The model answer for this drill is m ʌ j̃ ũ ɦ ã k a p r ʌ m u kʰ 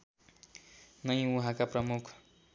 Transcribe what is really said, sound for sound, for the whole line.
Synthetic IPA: n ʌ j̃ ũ ɦ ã k a p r ʌ m u kʰ